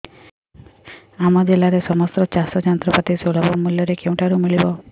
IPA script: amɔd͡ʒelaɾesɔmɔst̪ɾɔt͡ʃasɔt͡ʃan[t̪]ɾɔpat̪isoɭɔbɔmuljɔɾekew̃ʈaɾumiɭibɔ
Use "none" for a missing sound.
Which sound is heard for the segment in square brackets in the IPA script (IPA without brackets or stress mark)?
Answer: t̪